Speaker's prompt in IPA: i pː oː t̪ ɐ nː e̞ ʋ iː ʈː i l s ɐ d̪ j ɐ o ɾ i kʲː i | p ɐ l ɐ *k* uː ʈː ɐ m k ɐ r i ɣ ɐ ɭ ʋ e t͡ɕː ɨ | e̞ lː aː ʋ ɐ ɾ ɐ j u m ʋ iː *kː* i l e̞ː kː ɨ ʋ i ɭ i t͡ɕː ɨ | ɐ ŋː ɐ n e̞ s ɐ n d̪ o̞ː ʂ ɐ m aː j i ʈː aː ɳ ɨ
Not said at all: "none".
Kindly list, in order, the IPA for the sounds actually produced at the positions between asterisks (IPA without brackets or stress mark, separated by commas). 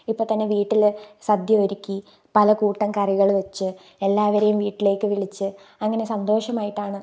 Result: k, ʈː